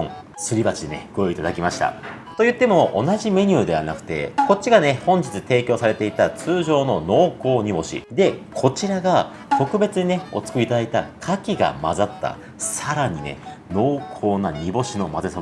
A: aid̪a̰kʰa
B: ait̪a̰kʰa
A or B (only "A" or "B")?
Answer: B